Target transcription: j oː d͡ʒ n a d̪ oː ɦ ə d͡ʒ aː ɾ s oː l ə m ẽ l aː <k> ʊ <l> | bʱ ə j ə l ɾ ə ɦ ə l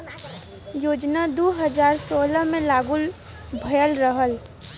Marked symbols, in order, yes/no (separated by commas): no, yes